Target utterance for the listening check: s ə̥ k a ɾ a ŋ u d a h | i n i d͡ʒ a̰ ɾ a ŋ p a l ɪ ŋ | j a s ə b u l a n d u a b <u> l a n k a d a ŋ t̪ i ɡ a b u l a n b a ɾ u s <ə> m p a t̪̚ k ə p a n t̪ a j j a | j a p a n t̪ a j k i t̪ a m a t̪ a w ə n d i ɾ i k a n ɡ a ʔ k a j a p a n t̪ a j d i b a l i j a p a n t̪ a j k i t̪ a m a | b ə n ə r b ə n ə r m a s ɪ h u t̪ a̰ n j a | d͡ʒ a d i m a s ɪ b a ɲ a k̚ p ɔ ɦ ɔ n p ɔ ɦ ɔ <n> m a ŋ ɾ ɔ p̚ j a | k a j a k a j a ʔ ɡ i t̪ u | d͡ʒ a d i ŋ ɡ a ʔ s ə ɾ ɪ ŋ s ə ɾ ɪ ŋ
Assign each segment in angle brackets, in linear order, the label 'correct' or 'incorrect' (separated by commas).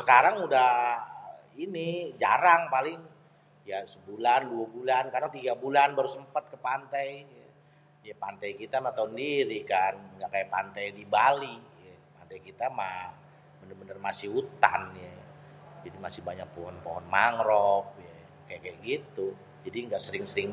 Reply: correct, correct, correct